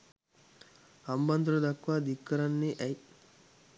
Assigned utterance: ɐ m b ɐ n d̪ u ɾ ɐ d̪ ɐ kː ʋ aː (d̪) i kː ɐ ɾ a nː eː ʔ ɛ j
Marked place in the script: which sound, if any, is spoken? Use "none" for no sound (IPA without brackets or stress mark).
d̪